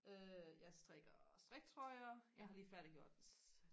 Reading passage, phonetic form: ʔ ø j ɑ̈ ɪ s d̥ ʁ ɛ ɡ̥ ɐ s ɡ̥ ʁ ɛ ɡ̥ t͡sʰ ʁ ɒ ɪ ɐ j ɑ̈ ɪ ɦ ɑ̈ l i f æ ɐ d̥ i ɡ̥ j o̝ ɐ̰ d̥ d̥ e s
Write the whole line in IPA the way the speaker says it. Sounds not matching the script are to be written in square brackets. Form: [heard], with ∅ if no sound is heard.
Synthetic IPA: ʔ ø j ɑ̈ ɪ s d̥ ʁ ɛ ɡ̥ ɐ s [d̥] ʁ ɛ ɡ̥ t͡sʰ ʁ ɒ ɪ ɐ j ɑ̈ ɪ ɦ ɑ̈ l [iː] f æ ɐ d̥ i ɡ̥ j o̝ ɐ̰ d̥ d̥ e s